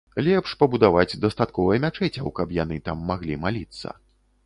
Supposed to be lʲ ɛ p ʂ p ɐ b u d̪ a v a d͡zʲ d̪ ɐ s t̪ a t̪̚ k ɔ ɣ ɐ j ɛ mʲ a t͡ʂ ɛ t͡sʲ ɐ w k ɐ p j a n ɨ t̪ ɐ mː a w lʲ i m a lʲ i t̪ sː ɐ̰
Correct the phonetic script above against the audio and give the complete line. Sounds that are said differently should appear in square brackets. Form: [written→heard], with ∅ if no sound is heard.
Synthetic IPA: lʲ ɛ p ʂ p ɐ b u d̪ a v a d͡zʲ d̪ ɐ s t̪ a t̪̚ k ɔ [ɣ→v] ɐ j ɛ mʲ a t͡ʂ ɛ t͡sʲ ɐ w k ɐ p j a n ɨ t̪ [ɐ→a] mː a [w→ɣ] lʲ i m a lʲ i t̪ sː ɐ̰